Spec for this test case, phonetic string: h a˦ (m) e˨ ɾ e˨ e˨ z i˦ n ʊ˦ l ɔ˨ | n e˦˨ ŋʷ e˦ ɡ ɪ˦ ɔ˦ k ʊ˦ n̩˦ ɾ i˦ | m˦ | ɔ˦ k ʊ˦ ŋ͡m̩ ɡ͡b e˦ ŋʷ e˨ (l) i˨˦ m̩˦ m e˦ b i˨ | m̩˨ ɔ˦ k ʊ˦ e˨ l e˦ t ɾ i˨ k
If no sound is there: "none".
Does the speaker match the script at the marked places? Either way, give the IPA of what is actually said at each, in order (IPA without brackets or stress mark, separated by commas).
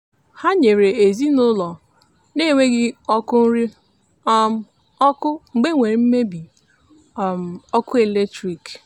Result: ɲ, ɾ